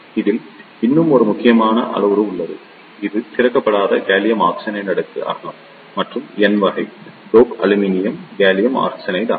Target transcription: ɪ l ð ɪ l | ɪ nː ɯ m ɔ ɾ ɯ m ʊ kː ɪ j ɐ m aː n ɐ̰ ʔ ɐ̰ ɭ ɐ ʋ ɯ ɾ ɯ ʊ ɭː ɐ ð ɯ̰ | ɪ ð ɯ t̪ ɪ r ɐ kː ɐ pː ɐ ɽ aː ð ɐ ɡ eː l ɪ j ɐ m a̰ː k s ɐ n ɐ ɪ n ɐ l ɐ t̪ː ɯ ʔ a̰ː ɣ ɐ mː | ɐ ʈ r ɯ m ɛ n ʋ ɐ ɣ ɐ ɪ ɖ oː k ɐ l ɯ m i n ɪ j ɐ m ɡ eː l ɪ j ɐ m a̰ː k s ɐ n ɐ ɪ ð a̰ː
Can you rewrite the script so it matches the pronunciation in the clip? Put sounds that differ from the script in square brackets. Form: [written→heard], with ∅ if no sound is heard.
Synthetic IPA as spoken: ɪ [l→∅] ð ɪ l | ɪ nː ɯ m ɔ ɾ ɯ m ʊ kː ɪ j ɐ m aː n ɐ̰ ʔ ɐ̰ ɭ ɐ ʋ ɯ ɾ ɯ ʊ ɭː ɐ ð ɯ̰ | ɪ ð ɯ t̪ ɪ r ɐ kː ɐ pː ɐ ɽ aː ð ɐ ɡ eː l ɪ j ɐ m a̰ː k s ɐ n ɐ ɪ n ɐ [l→ɽ] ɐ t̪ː ɯ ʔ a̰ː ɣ ɐ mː | ɐ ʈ r ɯ m ɛ n ʋ ɐ ɣ ɐ ɪ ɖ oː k ɐ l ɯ m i n ɪ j ɐ m ɡ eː l ɪ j ɐ m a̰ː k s ɐ n ɐ ɪ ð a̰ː